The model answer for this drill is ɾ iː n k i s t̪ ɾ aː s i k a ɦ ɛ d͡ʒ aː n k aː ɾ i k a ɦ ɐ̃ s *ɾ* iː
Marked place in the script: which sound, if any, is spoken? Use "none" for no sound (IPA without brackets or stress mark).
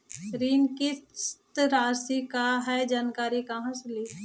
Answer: l